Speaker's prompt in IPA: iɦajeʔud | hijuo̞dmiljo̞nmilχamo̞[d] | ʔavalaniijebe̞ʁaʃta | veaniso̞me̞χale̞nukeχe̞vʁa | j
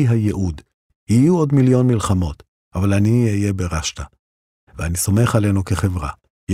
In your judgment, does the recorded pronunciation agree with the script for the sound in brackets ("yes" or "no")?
no